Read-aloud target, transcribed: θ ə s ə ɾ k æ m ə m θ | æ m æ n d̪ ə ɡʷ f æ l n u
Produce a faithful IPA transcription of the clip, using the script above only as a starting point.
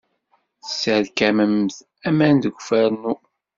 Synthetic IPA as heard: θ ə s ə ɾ k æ m ə m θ | æ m æ n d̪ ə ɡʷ f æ ɾ n u